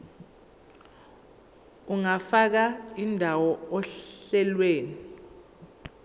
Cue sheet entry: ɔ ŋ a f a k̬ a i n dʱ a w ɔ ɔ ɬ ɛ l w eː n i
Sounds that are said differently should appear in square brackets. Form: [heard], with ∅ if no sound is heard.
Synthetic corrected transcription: [u] ŋ a f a k̬ a i n dʱ a w ɔ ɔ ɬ ɛ l w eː n i